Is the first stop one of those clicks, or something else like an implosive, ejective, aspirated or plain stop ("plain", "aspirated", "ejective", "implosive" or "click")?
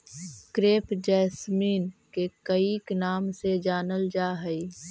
plain